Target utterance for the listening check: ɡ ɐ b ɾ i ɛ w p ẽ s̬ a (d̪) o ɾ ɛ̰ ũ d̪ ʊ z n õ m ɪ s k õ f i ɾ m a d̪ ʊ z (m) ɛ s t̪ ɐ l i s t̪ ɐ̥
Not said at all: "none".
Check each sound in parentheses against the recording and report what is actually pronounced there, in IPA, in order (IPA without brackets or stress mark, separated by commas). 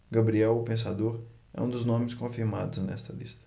d̪, n